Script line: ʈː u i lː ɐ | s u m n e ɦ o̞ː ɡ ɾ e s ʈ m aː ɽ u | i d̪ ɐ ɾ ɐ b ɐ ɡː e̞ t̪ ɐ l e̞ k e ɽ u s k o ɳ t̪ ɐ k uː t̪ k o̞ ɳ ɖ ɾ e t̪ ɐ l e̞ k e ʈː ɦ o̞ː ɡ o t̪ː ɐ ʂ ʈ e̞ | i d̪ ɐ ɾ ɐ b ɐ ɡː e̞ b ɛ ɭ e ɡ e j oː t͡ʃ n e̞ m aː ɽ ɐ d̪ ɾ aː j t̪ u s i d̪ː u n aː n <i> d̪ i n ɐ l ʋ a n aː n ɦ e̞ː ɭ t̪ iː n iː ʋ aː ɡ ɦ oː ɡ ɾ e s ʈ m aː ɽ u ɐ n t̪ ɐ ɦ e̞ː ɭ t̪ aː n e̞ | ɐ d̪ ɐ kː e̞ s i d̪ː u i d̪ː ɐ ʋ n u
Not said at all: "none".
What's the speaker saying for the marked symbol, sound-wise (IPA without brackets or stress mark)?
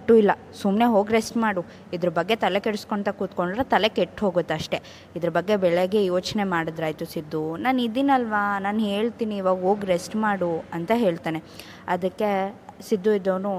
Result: i